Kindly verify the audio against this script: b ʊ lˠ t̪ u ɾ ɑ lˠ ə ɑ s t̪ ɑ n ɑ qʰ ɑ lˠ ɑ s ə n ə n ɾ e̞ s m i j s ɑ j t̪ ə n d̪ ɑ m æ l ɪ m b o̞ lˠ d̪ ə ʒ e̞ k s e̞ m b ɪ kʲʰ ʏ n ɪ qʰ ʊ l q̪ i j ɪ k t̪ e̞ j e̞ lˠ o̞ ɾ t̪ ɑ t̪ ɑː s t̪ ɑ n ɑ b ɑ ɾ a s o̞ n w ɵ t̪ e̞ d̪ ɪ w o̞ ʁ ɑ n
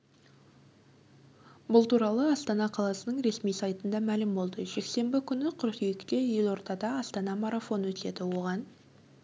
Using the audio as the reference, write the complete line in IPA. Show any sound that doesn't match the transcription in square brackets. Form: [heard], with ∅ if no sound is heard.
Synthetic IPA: b ʊ lˠ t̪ u ɾ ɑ lˠ ə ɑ s t̪ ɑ n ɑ qʰ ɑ lˠ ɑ s ə n ə [ɴ] ɾ e̞ s m i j s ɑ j t̪ ə n d̪ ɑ m æ l ɪ m b o̞ lˠ d̪ ə ʒ e̞ k s e̞ m b ɪ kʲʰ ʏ n ɪ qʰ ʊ [ɾ] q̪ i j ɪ k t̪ e̞ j e̞ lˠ o̞ ɾ t̪ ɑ [d̪] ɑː s t̪ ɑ n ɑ [m] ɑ ɾ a [f] o̞ n w ɵ t̪ e̞ d̪ ɪ w o̞ ʁ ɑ n

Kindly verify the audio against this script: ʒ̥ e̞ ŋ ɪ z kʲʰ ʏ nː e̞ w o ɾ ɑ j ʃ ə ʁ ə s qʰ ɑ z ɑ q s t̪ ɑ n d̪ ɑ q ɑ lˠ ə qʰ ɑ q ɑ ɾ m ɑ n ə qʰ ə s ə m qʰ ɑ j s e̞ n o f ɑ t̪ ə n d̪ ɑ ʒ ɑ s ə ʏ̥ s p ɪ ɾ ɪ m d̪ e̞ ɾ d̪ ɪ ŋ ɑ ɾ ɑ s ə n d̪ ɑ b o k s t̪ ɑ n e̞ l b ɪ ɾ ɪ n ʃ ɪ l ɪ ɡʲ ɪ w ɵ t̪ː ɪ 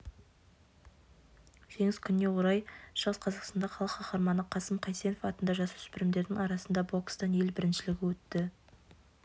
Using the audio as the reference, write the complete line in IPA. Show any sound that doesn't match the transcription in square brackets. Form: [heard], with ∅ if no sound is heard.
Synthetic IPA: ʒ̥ e̞ ŋ ɪ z kʲʰ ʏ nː e̞ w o ɾ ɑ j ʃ ə ʁ ə s qʰ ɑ z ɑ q s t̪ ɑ n d̪ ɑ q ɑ lˠ ə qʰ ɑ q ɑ ɾ m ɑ n ə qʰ [ɑ] s ə m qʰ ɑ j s e̞ n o f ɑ t̪ ə n d̪ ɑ ʒ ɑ s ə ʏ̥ s p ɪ ɾ ɪ m d̪ e̞ ɾ d̪ ɪ ŋ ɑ ɾ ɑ s ə n d̪ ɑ b o k s t̪ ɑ n e̞ l b ɪ ɾ ɪ n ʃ ɪ l ɪ ɡʲ ɪ w ɵ t̪ː ɪ

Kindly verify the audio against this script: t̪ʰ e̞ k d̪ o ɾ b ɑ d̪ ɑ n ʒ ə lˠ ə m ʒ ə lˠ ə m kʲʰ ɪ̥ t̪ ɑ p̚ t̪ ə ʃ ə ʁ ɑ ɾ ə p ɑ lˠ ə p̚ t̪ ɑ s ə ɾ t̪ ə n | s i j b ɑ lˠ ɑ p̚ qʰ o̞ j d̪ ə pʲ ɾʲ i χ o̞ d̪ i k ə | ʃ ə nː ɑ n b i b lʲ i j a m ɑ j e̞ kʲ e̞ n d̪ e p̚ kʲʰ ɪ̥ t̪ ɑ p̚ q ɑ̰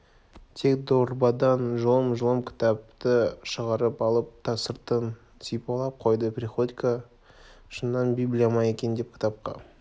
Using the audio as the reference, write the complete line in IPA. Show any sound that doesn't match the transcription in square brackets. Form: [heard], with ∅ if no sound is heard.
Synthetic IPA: t̪ʰ e̞ k d̪ o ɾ b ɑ d̪ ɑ n ʒ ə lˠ ə m ʒ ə lˠ ə m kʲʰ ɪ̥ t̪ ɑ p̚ t̪ ə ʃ ə ʁ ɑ ɾ ə p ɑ lˠ ə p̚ [t̪ʰ] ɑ s ə ɾ t̪ ə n | s i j [p] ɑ lˠ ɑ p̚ qʰ o̞ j d̪ ə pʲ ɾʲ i χ o̞ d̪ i k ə | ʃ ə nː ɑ n b i b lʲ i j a m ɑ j e̞ kʲ e̞ n d̪ e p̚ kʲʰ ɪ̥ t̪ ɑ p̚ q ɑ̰

